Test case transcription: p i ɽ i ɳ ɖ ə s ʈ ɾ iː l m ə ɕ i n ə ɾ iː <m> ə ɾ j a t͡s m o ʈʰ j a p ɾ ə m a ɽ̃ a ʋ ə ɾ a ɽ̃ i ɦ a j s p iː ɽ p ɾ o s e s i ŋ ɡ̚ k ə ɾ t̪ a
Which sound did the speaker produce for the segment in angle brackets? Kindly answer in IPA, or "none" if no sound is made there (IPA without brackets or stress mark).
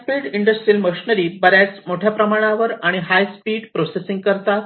b